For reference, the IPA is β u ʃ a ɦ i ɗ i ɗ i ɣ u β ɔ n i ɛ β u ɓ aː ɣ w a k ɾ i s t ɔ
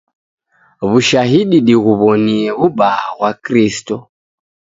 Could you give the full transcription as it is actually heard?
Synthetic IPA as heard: β u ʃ a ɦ i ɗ i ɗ i ɣ u β ɔ n i ɛ β u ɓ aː ɣ w a k ɾ i s t ɔ